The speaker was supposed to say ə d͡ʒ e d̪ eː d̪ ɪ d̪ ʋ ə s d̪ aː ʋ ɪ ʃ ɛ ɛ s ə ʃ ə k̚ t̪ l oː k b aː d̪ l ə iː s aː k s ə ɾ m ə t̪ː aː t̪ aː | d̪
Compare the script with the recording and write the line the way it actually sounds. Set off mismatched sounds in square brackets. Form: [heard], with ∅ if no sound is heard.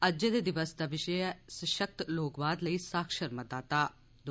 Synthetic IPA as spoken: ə d͡ʒ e d̪ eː d̪ ɪ [∅] ʋ ə s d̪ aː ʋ ɪ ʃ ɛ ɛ s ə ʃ ə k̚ t̪ l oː k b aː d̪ l ə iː s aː k [ʃ] ə ɾ m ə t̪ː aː t̪ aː | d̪